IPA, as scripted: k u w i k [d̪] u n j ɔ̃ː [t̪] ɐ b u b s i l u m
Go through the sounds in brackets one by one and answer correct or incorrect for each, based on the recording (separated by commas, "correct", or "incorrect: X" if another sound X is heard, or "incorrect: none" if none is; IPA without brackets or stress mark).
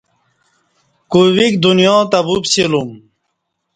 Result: correct, correct